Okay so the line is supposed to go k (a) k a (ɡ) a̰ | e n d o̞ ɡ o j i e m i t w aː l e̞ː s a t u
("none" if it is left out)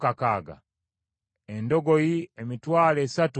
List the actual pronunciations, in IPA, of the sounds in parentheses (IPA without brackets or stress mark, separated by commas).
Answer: a, ɡ